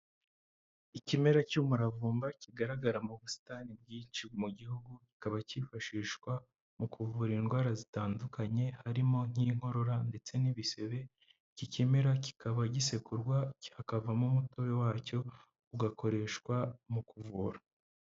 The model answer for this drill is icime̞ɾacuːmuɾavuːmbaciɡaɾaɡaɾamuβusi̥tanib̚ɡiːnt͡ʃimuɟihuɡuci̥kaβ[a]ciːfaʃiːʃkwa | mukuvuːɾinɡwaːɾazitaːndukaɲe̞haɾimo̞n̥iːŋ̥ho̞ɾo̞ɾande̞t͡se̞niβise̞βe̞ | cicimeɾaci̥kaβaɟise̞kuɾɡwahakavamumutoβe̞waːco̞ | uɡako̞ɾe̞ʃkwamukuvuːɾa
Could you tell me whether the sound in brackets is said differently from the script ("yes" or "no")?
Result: no